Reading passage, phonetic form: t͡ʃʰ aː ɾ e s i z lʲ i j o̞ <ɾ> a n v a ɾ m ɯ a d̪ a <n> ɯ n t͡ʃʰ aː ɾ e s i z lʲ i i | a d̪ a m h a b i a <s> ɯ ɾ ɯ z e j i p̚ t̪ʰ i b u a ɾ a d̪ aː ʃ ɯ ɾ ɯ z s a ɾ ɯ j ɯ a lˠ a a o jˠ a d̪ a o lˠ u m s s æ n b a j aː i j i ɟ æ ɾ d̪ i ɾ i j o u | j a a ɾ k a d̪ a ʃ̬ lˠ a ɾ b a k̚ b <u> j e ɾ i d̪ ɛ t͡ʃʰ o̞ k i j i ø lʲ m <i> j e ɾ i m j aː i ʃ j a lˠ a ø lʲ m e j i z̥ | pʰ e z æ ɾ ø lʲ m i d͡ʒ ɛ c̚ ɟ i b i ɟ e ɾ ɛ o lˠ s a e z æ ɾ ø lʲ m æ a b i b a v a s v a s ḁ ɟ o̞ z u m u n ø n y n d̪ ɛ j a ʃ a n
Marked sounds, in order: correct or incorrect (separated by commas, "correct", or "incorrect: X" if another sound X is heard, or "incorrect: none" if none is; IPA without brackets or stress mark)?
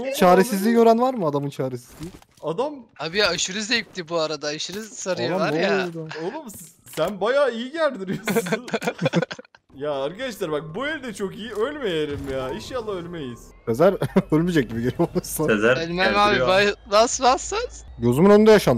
correct, incorrect: m, incorrect: ʃ, correct, incorrect: e